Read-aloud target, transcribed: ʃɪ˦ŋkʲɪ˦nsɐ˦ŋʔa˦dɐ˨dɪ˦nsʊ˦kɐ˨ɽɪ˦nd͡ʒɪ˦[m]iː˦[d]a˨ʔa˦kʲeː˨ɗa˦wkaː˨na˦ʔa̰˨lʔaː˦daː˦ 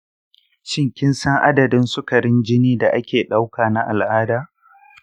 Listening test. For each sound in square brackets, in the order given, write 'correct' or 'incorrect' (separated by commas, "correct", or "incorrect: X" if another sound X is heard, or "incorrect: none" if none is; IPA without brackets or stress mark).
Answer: incorrect: n, correct